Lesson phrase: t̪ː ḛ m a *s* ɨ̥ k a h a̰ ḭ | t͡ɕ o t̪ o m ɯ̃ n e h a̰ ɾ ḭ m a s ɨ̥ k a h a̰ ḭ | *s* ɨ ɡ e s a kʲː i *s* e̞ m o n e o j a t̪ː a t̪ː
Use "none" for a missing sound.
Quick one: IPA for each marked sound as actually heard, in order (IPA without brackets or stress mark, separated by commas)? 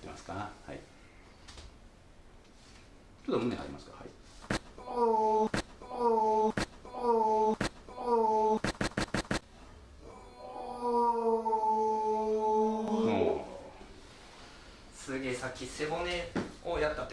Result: s, s, s